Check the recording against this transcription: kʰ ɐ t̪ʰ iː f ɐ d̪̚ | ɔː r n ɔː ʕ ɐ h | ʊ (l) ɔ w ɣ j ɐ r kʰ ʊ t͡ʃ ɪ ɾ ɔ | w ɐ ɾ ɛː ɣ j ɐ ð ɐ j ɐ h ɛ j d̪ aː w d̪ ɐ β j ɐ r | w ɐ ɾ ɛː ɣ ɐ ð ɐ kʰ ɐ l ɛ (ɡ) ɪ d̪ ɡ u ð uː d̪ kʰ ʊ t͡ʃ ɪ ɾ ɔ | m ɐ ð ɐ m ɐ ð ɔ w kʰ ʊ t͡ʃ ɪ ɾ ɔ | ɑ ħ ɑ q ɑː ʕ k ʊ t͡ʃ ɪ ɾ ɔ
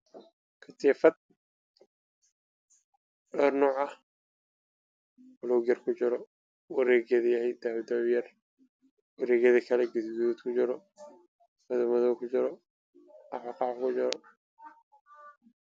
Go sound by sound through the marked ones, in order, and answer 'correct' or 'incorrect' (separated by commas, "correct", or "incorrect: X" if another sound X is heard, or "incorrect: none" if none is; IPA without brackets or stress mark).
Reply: correct, correct